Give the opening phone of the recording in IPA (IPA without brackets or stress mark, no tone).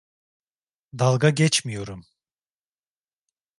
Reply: d̪